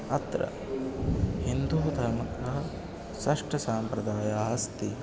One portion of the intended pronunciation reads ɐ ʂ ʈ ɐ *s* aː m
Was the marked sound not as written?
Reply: no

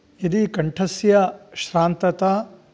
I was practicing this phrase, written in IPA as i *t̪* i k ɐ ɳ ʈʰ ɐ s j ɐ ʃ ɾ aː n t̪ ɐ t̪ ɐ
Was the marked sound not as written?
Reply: yes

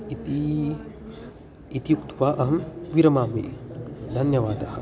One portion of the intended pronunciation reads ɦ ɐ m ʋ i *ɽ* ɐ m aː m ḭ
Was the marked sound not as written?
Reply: yes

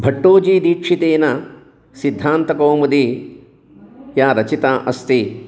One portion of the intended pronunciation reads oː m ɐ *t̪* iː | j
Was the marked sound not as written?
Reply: yes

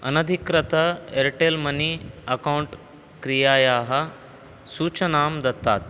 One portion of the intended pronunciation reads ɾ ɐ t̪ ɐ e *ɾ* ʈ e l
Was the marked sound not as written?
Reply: no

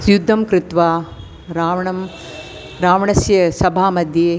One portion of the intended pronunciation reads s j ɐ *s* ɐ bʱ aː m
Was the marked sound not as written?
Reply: no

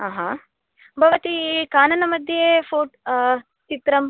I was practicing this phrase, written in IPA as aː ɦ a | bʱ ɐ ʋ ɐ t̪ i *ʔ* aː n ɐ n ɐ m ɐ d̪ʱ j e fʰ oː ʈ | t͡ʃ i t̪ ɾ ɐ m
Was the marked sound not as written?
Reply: yes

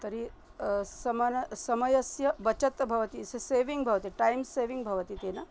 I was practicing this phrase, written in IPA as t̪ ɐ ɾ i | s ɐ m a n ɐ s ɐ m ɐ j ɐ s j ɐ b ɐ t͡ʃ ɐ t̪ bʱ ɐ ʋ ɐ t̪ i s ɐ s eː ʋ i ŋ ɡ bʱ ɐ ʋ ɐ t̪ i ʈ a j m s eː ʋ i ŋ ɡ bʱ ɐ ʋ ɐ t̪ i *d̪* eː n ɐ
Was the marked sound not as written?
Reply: yes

